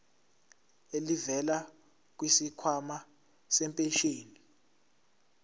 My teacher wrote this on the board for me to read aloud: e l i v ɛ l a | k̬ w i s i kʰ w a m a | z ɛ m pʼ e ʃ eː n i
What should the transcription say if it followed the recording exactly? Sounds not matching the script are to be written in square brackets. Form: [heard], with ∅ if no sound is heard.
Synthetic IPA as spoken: e l i v ɛ l a | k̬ w i s i kʰ w a m a | [s] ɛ m pʼ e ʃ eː n i